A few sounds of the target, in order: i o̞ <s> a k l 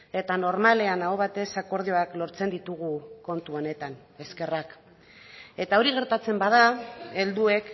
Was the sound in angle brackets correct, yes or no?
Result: no